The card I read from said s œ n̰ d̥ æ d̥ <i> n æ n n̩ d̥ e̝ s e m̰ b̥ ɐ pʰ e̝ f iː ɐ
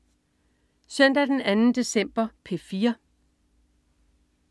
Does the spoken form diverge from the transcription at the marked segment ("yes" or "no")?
yes